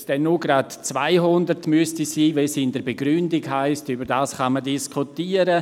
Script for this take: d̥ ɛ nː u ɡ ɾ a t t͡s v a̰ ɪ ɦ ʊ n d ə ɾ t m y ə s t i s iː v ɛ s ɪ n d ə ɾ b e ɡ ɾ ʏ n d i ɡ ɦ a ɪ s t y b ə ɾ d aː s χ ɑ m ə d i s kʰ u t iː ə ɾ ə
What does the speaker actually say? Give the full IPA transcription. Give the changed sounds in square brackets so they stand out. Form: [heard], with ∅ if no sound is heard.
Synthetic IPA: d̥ ɛ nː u ɡ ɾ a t t͡s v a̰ ɪ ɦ ʊ n d ə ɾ t m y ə s t i s iː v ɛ s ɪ n d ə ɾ b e ɡ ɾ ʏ n d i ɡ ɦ a ɪ s t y b ə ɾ d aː s χ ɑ m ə d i s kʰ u t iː ə ɾ ə